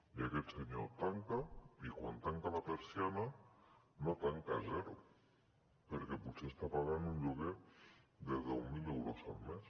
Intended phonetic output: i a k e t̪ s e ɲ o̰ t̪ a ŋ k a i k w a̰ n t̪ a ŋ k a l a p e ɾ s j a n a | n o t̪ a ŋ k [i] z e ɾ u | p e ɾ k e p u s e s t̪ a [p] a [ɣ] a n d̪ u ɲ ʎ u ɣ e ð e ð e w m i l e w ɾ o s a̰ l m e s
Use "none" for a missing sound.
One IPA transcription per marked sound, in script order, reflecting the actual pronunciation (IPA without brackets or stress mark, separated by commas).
a, p, ɣ